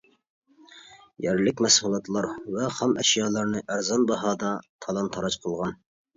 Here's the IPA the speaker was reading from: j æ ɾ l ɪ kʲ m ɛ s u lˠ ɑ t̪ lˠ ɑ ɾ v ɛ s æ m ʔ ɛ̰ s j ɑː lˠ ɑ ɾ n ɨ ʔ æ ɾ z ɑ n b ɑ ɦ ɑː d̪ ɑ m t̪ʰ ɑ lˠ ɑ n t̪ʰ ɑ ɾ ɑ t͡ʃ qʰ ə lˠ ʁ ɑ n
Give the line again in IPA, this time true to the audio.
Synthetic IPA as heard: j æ ɾ l ɪ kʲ m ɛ s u lˠ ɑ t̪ lˠ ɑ ɾ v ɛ χ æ m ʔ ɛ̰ ʃ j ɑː lˠ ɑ ɾ n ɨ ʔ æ ɾ z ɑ n b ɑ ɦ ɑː d̪ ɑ t̪ʰ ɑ lˠ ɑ n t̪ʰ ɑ ɾ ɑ t͡ʃ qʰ ə lˠ ʁ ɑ n

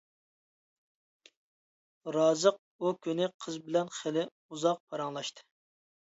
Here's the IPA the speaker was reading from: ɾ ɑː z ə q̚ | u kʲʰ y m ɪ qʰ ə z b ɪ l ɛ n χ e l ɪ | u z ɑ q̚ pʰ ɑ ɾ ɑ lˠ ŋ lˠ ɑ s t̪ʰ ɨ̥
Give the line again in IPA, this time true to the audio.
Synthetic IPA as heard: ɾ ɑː z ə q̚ | u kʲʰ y n ɪ qʰ ə z b ɪ l ɛ n χ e l ɪ | u z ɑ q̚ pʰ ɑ ɾ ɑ ŋ lˠ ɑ ʃ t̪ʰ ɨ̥

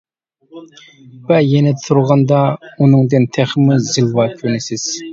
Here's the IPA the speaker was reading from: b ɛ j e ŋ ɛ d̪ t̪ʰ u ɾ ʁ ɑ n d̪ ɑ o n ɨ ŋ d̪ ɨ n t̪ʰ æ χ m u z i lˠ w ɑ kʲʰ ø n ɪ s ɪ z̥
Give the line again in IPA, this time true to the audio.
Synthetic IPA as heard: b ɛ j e n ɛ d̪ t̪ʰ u ɾ ʁ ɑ n d̪ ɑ u n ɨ ŋ d̪ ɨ n t̪ʰ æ χ m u z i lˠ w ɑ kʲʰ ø n ɪ s ɪ z̥

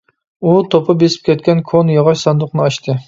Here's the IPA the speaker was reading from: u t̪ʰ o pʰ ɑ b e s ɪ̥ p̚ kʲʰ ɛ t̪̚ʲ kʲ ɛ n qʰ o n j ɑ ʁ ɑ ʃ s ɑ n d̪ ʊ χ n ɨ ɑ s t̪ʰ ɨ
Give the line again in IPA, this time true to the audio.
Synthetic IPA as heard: u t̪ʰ o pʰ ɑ b e s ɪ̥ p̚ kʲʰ ɛ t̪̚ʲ kʲ ɛ n kʰ o n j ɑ ʁ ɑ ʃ s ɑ n d̪ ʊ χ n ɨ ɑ ʃ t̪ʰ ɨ

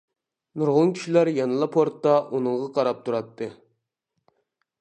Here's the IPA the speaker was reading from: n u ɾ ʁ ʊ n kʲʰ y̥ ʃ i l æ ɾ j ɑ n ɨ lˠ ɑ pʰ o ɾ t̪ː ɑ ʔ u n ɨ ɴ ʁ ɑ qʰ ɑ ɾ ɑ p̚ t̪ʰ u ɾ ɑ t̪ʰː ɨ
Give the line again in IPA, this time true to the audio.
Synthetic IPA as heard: n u ɾ ʁ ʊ n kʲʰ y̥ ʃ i l æ ɾ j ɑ n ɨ lˠ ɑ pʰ o ɾ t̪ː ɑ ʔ u n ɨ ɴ ʁ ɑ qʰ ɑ ɾ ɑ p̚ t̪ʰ u ɾ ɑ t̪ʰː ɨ

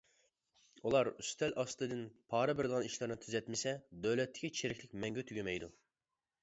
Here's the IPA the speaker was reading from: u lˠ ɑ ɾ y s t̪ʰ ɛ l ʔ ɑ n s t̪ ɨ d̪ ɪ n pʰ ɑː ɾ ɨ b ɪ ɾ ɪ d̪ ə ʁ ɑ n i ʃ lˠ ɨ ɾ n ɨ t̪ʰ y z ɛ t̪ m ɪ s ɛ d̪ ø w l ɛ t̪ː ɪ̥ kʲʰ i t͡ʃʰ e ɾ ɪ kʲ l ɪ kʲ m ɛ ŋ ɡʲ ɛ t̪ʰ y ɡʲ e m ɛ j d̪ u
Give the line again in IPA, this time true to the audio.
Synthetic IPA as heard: u lˠ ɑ ɾ y s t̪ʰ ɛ l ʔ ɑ s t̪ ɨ d̪ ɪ n pʰ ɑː ɾ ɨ b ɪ ɾ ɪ d̪ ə ʁ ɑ n i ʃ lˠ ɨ ɾ n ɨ t̪ʰ y z ɛ t̪ m ɪ s ɛ d̪ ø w l ɛ t̪ː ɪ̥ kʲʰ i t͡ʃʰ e ɾ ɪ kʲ l ɪ kʲ m ɛ ŋ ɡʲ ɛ t̪ʰ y ɡʲ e m ɛ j d̪ u

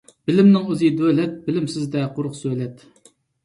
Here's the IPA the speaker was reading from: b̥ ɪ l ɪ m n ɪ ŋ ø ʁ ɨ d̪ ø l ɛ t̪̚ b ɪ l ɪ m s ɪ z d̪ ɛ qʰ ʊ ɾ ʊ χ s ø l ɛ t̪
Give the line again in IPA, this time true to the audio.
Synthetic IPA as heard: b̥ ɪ l ɪ m n ɪ ŋ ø z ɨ d̪ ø l ɛ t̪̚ b ɪ l ɪ m s ɪ z d̪ ɛ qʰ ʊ ɾ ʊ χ s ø l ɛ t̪

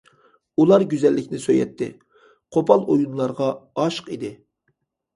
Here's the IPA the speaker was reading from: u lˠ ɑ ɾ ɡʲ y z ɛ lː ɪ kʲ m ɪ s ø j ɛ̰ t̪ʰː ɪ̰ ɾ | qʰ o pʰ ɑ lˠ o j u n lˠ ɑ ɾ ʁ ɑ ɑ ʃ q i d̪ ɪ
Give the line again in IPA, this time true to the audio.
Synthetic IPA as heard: u lˠ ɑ ɾ ɡʲ y z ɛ lː ɪ kʲ n ɪ s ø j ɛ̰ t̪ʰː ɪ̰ | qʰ o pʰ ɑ lˠ o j u n lˠ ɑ ɾ ʁ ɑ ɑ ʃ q i d̪ ɪ

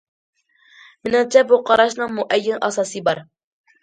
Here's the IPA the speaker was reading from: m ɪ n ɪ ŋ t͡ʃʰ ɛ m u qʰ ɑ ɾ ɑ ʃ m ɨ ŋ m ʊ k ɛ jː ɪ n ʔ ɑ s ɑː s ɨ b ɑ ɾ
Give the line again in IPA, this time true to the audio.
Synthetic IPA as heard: m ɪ n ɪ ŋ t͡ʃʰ ɛ b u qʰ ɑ ɾ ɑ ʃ n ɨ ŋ m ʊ ʔ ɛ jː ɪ n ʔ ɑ s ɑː s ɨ b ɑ ɾ

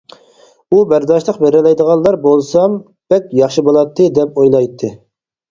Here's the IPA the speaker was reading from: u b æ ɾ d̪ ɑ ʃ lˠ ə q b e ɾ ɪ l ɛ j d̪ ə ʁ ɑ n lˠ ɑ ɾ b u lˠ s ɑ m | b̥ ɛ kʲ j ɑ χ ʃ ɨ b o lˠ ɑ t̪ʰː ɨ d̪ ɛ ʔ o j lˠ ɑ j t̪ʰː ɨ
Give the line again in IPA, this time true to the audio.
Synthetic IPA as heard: u b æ ɾ d̪ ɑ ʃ lˠ ə q b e ɾ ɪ l ɛ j d̪ ə ʁ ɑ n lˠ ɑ ɾ b o lˠ s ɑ m | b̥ ɛ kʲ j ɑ χ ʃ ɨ b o lˠ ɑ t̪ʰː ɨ d̪ ɛ p o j lˠ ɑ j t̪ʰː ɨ

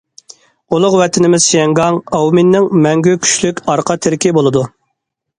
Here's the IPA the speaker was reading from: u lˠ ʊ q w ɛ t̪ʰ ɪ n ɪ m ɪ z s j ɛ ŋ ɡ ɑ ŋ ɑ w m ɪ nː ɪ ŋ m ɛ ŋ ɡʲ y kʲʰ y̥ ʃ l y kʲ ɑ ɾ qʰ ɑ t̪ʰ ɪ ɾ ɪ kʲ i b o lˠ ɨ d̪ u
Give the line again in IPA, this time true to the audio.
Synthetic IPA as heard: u lˠ ʊ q w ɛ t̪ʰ ɪ n ɪ m ɪ z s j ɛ ŋ ɡ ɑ ŋ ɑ w m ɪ nː ɪ ŋ m ɛ ŋ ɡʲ y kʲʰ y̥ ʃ l y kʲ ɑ ɾ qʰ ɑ t̪ʰ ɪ ɾ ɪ kʲ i b o lˠ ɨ d̪ u

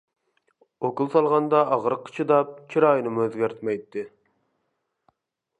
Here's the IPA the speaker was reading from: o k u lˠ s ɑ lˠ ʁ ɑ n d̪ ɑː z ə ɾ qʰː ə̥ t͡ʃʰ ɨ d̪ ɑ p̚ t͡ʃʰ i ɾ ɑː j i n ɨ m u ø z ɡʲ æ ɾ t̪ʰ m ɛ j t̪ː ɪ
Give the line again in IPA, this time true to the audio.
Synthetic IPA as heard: o k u lˠ s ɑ lˠ ʁ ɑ n d̪ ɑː ʁ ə ɾ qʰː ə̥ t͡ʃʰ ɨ d̪ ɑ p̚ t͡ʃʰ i ɾ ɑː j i n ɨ m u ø z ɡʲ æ ɾ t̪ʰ m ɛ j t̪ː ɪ

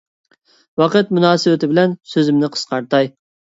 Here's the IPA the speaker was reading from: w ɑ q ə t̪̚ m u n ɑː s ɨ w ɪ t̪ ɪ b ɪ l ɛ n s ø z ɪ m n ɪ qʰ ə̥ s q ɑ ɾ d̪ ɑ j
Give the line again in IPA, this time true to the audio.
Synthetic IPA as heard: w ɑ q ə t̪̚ m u n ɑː s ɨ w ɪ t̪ ɪ b ɪ l ɛ n s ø z ɪ m n ɪ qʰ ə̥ s q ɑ ɾ t̪ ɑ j

